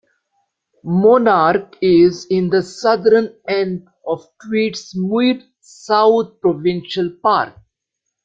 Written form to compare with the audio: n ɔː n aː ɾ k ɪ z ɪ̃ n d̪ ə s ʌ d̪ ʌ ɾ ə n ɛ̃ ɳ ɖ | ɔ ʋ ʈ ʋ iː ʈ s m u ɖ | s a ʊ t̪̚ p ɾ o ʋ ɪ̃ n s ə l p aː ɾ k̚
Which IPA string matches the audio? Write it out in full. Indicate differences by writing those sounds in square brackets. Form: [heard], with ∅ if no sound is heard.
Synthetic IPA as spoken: [m] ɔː n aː ɾ k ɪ z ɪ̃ n d̪ ə s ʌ d̪ [ə] ɾ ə n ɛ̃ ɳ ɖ | ɔ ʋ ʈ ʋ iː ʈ s m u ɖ | s a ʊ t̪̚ p ɾ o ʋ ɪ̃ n [ʃ] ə l p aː ɾ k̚